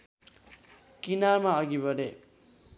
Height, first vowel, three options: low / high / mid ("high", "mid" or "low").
high